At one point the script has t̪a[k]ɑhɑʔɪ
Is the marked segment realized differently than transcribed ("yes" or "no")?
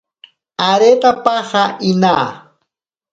yes